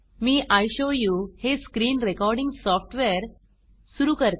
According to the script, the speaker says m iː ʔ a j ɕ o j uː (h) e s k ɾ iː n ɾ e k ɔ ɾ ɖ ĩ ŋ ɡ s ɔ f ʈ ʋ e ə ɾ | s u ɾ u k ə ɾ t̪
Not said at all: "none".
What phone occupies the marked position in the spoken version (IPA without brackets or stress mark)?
h